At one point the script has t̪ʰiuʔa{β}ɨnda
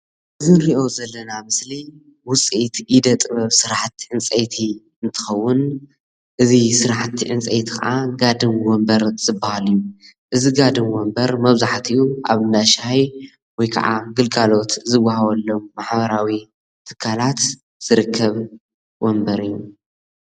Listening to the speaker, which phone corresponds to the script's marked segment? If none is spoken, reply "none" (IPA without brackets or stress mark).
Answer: β